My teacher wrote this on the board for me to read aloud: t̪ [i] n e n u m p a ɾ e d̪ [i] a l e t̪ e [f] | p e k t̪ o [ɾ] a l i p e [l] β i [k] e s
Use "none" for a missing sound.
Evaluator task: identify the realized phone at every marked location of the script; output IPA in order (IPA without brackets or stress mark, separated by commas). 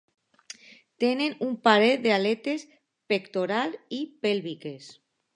e, e, s, ɾ, l, k